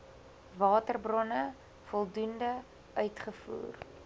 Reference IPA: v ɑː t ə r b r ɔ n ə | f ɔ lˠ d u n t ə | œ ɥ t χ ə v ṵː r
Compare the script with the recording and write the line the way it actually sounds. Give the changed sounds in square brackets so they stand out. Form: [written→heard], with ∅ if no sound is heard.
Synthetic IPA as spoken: v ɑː t ə r b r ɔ n ə | f ɔ lˠ d u n [t→d] ə | œ ɥ t χ ə [v→f] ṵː r